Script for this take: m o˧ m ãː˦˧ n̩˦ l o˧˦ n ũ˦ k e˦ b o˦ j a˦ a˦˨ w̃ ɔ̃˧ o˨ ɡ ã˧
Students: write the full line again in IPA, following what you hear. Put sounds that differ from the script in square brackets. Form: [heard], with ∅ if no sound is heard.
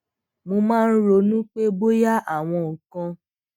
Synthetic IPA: m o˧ m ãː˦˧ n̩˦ [ɾ] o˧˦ n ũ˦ [k͡p] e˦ b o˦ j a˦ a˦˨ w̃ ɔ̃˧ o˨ [k] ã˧